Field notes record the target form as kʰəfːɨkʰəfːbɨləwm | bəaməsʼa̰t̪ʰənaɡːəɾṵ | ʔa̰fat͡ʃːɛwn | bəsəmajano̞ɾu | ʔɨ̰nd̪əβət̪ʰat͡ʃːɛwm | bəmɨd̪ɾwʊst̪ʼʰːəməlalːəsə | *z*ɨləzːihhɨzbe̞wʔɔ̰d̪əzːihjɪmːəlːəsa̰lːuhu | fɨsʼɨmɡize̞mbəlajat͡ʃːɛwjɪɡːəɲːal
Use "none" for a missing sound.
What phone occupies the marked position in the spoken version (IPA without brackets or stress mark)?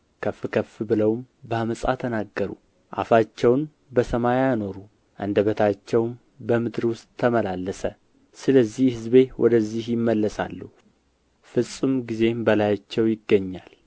s